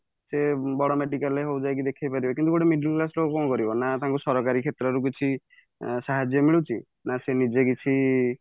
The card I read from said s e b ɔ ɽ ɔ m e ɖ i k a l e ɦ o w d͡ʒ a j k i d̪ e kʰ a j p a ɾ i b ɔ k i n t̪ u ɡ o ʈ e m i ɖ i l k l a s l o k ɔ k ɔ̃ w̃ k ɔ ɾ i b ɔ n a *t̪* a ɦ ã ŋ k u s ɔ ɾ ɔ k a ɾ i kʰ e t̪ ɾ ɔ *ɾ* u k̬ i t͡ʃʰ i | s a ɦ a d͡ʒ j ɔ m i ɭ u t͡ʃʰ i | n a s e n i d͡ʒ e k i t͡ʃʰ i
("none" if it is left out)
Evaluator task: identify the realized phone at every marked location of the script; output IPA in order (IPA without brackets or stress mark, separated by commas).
t̪, ɾ